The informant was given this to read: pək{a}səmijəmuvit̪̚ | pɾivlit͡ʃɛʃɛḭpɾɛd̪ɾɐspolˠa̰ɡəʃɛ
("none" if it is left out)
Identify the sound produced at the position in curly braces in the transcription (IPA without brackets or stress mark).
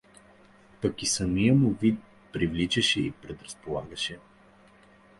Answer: i